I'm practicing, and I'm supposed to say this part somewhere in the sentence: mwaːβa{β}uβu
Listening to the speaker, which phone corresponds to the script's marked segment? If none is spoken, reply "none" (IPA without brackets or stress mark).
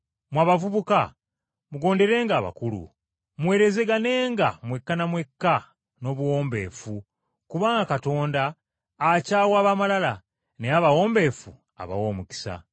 v